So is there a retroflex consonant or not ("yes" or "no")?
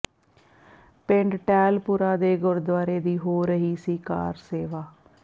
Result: yes